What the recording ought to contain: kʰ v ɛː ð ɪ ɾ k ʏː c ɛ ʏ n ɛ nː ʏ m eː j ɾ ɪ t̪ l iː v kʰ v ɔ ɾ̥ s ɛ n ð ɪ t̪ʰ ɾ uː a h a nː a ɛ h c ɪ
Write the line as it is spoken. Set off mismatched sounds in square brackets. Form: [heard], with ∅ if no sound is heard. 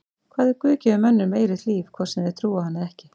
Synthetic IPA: kʰ v [aː] ð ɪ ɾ k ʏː c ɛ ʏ [m] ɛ nː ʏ m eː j ɾ ɪ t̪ l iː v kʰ v ɔ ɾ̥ s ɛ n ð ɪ t̪ʰ ɾ uː a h a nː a ɛ h c ɪ